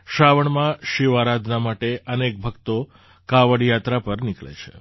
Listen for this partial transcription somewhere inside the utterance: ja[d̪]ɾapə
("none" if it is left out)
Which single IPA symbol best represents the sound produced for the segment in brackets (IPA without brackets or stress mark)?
t̪